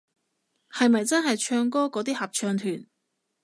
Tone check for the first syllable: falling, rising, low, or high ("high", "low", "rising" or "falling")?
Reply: low